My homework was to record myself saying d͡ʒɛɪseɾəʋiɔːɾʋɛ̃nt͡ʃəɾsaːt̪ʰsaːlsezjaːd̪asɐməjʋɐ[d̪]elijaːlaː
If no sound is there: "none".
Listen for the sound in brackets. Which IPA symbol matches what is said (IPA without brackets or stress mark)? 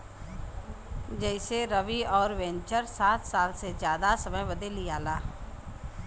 d̪